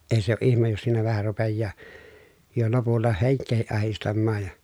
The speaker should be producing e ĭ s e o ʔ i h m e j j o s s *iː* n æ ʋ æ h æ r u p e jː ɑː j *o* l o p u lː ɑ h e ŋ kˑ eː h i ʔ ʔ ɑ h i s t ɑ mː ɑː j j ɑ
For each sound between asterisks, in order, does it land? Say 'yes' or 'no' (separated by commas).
yes, yes